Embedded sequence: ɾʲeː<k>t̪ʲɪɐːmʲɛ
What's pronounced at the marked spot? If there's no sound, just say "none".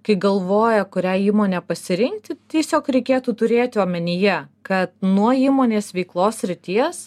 none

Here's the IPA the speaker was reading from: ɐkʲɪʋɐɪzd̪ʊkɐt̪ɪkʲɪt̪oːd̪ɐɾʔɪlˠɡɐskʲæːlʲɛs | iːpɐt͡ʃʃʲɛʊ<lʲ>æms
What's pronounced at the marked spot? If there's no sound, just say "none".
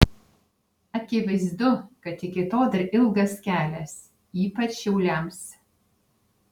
lʲ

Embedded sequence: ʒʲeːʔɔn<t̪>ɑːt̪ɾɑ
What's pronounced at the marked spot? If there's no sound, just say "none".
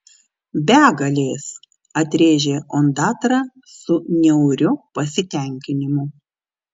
d̪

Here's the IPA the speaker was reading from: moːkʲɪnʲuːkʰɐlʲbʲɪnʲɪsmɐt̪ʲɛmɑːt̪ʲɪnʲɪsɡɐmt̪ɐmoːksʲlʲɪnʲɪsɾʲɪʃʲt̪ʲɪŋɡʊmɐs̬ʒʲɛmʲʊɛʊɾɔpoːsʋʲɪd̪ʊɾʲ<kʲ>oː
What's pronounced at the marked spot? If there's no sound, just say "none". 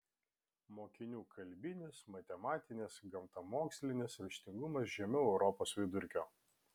kʲ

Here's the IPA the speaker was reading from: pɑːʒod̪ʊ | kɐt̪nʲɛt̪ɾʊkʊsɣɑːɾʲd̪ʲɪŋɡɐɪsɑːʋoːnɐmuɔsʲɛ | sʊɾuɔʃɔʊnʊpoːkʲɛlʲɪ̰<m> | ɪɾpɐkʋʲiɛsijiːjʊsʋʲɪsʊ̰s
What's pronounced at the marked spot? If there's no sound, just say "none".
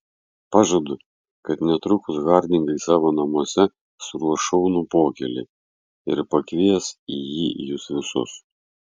none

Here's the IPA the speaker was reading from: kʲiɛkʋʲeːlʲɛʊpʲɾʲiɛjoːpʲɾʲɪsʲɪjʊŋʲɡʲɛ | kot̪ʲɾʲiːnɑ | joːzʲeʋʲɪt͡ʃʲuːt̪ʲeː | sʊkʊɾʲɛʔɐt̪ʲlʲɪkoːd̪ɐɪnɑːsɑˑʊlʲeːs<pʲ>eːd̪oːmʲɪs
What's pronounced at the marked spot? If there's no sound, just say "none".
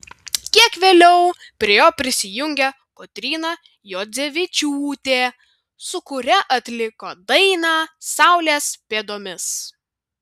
pʲ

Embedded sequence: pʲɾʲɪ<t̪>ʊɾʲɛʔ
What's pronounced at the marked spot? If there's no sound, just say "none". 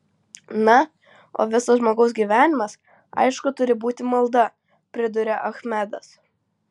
d̪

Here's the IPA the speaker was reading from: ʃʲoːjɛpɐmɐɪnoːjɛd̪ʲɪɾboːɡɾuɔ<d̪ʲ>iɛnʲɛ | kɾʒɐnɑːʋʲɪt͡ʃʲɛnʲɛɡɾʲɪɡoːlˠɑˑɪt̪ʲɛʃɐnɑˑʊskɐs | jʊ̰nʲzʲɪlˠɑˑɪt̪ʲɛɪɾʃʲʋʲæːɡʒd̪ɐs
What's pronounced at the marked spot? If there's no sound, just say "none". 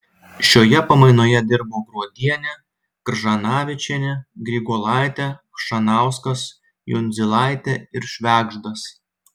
d̪ʲ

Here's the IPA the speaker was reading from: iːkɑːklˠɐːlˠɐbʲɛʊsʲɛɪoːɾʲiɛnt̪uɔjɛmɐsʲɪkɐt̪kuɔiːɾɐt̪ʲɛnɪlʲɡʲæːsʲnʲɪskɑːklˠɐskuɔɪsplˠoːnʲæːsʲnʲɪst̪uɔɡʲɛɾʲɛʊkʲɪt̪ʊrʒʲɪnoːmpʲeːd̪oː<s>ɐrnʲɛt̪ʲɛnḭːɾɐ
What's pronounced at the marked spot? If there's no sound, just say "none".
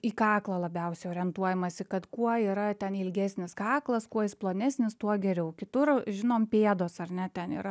s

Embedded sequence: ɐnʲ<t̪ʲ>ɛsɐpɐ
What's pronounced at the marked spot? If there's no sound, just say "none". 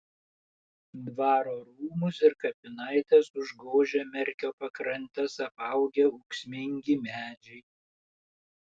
t̪ʲ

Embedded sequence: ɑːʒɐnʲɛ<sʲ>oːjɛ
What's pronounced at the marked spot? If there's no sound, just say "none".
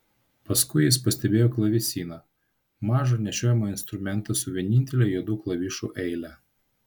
ʃʲ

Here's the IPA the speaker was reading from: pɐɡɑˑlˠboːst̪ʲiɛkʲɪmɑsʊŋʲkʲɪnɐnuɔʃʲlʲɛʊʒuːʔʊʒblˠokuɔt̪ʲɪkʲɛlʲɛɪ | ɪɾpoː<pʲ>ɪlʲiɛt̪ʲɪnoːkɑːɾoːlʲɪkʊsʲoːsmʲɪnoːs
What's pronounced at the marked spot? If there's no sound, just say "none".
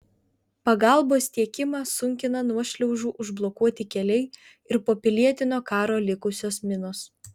pʲ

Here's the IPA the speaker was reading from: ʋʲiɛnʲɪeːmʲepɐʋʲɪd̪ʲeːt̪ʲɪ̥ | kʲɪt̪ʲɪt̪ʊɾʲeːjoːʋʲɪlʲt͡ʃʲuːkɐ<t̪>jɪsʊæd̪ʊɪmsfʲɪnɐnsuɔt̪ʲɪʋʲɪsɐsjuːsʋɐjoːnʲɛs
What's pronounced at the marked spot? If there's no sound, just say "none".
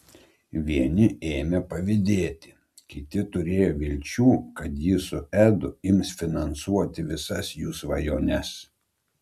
t̪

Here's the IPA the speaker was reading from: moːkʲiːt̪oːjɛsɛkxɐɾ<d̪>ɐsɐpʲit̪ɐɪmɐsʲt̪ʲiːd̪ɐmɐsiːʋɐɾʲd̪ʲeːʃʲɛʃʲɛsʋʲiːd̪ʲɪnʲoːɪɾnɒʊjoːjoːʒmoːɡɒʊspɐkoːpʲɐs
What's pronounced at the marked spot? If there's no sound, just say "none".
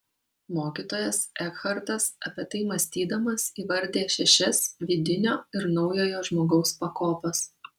t̪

